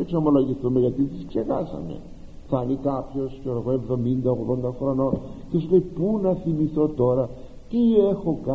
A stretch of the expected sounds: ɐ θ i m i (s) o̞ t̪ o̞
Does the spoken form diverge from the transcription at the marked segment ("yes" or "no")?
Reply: yes